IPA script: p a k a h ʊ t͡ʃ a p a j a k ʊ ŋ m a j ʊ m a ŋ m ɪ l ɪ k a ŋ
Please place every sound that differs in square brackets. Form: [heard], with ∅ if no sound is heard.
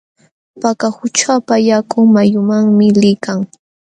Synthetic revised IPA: p a k a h ʊ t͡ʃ a p a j a k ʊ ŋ m a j ʊ m a ŋ m ɪ l ɪ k a ŋ

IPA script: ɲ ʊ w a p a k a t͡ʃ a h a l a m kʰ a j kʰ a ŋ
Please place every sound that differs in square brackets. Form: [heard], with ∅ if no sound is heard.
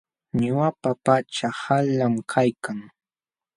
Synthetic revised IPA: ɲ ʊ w a p a [p] a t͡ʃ a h a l a m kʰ a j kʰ a ŋ

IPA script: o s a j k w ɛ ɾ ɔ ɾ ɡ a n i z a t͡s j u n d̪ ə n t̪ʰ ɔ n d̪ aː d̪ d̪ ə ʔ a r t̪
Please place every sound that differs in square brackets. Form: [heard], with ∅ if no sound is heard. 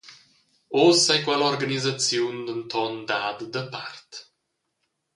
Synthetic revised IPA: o s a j k w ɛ [l] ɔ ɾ ɡ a n i z a t͡s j u n d̪ ə n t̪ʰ ɔ n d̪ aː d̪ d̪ ə [p] a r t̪

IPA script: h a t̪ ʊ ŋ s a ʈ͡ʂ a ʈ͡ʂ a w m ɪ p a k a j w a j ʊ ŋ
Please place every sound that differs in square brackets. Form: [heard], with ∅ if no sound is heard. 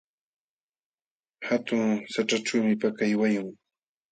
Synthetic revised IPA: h a t̪ ʊ ŋ s a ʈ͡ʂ a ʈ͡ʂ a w m ɪ p a k a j w a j ʊ ŋ

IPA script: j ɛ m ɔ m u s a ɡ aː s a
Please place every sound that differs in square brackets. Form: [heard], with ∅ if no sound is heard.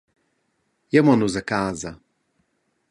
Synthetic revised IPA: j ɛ m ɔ [n] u [z] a [k] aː [z] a

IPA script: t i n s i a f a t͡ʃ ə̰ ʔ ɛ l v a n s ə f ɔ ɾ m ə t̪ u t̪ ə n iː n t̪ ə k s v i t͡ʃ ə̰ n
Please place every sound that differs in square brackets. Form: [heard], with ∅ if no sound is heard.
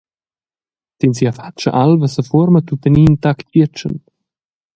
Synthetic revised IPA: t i n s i a f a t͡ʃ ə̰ ʔ [a] l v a [∅] s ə f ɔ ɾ m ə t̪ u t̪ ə n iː n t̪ [a] k [t] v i t͡ʃ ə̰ n

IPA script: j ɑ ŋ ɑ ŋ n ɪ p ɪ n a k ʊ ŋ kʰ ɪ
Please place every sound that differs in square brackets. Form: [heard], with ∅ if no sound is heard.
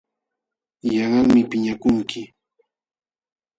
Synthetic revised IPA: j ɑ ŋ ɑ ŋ [m] ɪ p ɪ [ɲ] a k ʊ ŋ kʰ ɪ

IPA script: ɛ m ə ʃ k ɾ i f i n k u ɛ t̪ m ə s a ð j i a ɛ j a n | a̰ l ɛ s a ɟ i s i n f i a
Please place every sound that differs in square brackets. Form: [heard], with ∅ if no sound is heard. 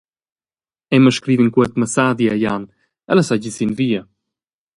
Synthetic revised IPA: ɛ m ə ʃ k ɾ i [v] i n k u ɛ t̪ m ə s a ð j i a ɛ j a n | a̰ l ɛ s a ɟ i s i n [v] i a

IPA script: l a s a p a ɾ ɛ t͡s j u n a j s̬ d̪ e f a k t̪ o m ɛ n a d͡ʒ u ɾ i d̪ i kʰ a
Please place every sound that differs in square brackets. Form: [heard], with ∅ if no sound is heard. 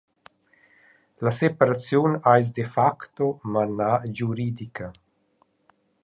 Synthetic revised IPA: l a s [e] p a ɾ [a] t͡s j u n a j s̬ d̪ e f a k t̪ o m [a] n a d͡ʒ u ɾ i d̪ i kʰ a

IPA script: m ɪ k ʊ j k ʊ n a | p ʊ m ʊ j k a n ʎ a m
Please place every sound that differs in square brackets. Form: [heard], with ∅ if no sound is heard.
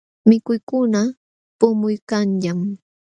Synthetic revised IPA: m ɪ k ʊ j k ʊ n a | p ʊ m ʊ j k a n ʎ a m

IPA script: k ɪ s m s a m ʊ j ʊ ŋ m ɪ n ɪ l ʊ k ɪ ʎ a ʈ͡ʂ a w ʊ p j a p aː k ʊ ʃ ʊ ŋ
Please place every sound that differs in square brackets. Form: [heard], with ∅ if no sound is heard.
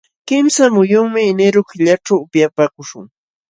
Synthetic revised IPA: k ɪ [∅] m s a m ʊ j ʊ ŋ m ɪ n ɪ [ɾ] ʊ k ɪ ʎ a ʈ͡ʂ a w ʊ p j a p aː k ʊ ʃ ʊ ŋ

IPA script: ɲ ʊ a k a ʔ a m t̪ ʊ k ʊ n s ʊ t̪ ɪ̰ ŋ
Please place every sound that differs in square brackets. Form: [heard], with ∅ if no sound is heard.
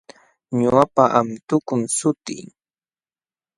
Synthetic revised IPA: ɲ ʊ a [p] a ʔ a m t̪ ʊ k ʊ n s ʊ t̪ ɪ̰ ŋ

